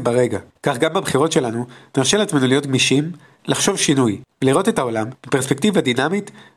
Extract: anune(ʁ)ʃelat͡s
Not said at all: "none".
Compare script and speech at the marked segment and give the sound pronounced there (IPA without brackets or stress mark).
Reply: ʁ